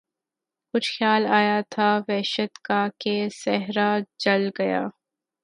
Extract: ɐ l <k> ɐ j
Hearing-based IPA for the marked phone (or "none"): ɡ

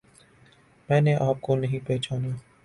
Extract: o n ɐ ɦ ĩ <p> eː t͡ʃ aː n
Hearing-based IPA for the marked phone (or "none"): p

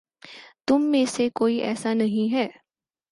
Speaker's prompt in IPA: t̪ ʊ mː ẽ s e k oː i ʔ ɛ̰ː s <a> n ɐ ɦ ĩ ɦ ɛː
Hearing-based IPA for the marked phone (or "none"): a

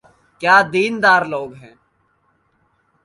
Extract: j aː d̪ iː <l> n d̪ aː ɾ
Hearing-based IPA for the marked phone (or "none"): none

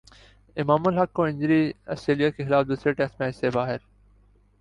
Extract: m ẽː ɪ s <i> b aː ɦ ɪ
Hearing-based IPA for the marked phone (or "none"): e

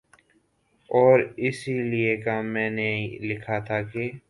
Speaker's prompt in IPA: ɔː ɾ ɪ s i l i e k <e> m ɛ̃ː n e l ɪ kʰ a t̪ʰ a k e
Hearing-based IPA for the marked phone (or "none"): a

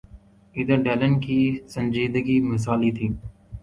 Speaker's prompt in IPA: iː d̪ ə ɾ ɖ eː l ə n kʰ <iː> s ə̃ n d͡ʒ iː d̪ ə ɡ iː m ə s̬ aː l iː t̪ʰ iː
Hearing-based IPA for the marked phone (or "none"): iː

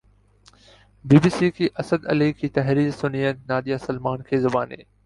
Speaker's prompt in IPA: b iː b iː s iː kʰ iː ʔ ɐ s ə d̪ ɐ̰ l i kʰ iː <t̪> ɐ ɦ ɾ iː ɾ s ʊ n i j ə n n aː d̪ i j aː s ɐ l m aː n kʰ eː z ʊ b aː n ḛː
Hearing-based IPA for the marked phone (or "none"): t̪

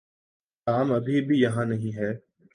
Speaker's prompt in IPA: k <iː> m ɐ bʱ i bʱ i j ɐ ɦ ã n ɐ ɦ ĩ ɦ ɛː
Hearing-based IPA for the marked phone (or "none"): aː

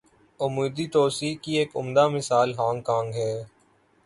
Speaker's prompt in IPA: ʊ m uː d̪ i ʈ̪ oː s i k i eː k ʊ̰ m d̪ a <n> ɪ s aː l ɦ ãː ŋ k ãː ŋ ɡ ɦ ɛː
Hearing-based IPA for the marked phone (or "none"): m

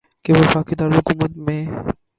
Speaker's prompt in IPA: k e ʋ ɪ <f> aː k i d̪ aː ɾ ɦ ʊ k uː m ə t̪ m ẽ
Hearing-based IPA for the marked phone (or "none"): f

